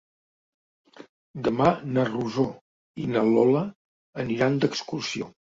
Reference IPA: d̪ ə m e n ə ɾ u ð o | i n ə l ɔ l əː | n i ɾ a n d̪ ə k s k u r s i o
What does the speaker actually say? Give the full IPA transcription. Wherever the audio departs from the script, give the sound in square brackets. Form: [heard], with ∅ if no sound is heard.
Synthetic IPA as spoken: d̪ ə m [a] n ə [r] u [z] o | i n ə l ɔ l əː | n i ɾ a n d̪ ə k s k u r s i o